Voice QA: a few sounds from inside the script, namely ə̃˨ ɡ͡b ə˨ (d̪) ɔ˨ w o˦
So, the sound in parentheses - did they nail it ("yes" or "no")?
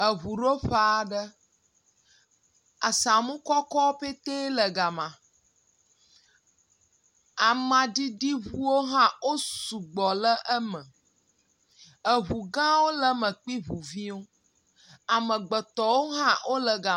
no